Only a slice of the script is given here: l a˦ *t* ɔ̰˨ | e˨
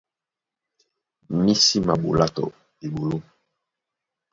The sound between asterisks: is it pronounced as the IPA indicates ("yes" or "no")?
yes